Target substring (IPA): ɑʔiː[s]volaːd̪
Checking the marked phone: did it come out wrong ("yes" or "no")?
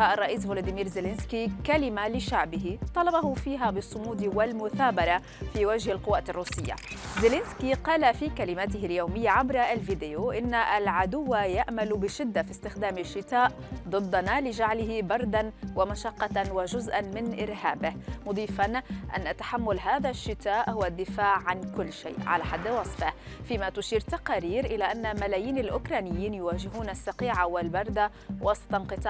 no